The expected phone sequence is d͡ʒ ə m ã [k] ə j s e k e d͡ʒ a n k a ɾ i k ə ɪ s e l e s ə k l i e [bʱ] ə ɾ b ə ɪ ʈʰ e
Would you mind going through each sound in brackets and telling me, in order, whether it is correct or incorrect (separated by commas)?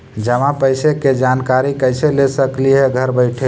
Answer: incorrect, incorrect